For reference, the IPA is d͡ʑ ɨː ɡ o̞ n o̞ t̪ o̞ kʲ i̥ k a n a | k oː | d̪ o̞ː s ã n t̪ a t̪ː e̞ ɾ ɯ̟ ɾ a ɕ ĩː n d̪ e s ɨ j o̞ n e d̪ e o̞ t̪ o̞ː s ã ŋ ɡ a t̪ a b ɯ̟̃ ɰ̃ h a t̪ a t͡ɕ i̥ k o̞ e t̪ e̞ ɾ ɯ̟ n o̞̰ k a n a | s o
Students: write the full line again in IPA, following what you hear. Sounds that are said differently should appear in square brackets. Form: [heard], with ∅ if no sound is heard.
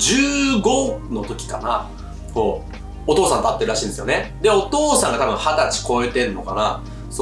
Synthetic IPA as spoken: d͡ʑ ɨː ɡ o̞ n o̞ t̪ o̞ kʲ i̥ k a n a | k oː | [t̪] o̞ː s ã n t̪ a t̪ː e̞ ɾ ɯ̟ ɾ a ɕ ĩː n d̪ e s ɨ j o̞ n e d̪ e o̞ t̪ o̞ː s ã ŋ ɡ a t̪ a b ɯ̟̃ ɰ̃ h a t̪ a t͡ɕ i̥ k o̞ e t̪ e̞ ɾ ɯ̟ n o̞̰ k a n a | s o